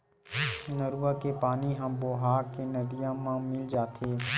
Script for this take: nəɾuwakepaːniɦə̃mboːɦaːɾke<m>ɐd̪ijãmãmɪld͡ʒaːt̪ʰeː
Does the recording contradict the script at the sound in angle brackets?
yes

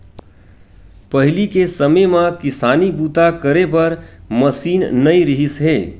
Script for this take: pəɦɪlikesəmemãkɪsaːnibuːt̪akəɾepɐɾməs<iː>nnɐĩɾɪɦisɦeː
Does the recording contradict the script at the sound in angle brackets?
no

